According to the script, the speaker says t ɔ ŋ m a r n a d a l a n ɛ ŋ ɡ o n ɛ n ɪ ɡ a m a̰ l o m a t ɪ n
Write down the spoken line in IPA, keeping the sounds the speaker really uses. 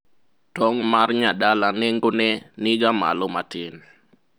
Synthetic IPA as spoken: t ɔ ŋ m a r ɲ a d a l a n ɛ ŋ ɡ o n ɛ n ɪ ɡ a m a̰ l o m a t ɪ n